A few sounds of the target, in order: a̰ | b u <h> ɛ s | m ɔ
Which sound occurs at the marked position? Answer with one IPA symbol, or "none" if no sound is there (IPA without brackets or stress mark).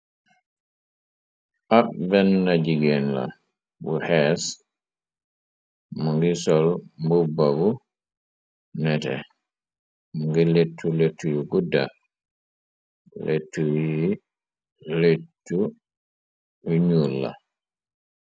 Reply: h